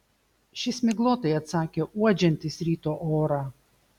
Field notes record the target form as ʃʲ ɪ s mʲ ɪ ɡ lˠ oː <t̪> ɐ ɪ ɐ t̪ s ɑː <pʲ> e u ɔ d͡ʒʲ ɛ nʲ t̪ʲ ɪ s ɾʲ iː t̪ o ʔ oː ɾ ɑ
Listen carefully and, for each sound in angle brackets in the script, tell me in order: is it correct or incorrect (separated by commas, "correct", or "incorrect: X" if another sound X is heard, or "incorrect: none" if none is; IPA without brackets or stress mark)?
correct, incorrect: kʲ